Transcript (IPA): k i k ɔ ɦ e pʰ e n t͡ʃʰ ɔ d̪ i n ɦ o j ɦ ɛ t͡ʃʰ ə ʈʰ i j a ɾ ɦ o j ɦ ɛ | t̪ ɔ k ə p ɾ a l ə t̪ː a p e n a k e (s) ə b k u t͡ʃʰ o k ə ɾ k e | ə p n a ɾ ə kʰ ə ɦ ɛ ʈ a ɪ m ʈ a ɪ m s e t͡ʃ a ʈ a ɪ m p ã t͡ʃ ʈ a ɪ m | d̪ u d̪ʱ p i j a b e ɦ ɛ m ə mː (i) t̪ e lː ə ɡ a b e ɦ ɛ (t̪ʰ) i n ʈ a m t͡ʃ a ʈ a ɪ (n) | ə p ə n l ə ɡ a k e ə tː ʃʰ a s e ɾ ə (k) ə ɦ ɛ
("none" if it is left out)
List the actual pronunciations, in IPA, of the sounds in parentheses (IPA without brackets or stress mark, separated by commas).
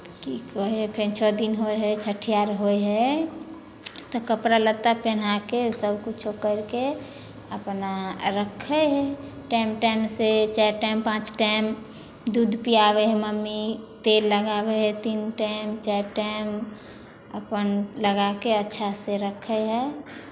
s, i, t̪, m, kʰ